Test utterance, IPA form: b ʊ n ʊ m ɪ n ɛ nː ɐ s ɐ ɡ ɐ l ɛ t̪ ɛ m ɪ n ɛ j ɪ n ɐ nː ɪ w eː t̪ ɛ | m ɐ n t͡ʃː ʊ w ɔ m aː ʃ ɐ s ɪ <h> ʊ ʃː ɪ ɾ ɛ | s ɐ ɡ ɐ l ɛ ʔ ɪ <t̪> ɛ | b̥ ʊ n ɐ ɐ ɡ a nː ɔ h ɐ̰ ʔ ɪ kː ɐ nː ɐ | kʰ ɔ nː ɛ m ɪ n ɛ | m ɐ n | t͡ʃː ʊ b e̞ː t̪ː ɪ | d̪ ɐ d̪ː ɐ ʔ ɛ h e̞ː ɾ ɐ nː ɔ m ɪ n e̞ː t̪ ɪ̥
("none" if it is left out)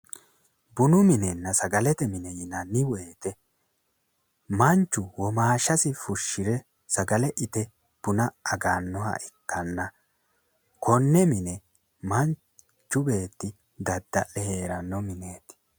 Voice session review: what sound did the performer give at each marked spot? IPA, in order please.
f, t̪

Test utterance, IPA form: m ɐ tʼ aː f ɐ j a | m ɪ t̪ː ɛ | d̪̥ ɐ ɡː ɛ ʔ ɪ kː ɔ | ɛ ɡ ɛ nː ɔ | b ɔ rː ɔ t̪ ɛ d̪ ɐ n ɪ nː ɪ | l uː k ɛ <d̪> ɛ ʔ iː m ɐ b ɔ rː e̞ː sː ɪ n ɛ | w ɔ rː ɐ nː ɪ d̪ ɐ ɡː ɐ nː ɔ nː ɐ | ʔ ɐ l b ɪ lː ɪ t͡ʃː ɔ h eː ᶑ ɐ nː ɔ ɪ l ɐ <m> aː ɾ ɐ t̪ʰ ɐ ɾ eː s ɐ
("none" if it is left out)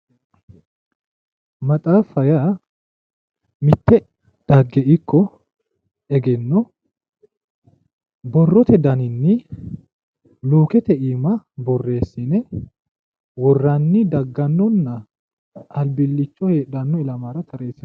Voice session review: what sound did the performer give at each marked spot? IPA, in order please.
t̪, m

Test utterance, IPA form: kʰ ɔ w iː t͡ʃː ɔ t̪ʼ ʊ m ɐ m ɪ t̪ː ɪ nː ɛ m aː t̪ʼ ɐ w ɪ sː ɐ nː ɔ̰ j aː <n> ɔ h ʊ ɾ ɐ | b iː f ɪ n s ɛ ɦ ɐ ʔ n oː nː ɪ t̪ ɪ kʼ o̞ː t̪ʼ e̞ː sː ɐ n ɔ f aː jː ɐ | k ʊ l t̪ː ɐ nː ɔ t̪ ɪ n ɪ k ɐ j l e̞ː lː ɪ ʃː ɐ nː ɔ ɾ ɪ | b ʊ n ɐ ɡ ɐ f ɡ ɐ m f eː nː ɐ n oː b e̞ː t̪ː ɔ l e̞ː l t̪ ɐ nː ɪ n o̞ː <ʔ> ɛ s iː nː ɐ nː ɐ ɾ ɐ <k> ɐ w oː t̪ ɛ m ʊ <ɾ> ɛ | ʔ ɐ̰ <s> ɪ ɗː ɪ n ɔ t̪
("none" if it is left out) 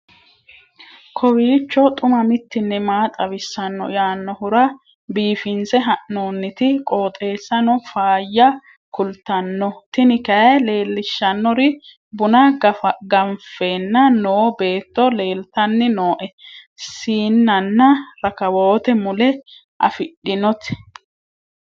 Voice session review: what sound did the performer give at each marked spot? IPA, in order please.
nː, ʔ, k, l, f

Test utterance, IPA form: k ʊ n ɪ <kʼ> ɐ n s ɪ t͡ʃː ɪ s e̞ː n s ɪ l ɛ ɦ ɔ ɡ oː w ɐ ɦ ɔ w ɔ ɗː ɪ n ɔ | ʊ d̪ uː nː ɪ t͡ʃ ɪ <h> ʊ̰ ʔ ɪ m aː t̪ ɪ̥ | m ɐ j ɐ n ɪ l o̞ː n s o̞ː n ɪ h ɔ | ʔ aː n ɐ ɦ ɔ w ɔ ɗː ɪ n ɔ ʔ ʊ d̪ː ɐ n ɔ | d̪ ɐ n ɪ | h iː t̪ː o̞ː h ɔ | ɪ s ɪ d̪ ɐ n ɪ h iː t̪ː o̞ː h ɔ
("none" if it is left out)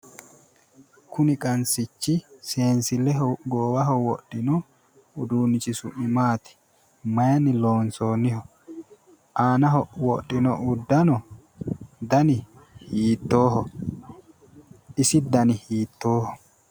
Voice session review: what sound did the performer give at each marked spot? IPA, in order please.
kʼ, s

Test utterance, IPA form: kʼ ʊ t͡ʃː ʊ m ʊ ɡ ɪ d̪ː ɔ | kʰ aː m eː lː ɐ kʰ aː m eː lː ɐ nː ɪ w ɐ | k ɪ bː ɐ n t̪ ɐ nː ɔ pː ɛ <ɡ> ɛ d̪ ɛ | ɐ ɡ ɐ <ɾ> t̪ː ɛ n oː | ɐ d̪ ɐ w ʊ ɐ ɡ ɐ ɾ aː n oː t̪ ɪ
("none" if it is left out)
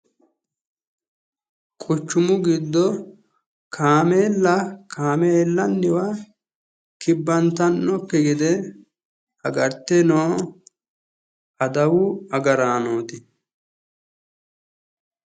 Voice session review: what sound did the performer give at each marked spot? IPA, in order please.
ɡ, ɾ

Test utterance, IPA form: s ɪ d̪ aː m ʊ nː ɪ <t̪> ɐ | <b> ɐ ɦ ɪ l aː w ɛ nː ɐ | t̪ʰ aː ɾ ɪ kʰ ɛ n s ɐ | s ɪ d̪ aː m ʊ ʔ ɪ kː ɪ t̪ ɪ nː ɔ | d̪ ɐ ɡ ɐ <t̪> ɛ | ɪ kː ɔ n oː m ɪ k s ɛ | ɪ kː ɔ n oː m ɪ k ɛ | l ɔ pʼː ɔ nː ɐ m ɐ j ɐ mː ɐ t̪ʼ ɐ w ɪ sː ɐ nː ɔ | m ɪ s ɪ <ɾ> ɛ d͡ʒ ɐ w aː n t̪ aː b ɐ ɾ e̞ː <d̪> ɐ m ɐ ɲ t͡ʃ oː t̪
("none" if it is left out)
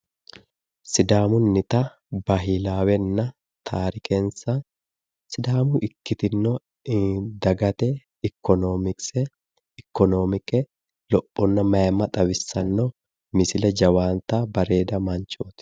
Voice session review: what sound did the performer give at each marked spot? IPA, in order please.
t̪, b, t̪, l, d̪

